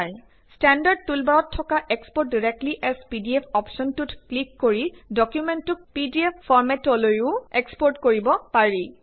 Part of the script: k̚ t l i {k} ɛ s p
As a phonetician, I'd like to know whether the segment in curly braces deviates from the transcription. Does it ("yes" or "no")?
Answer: yes